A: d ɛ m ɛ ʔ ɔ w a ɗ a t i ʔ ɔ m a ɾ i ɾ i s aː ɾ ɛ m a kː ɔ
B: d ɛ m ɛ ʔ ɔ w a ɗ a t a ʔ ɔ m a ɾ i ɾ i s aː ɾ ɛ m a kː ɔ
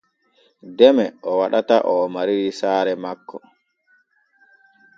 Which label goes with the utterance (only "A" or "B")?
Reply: B